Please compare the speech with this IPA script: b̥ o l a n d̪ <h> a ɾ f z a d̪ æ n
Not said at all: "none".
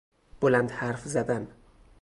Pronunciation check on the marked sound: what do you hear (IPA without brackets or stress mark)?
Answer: h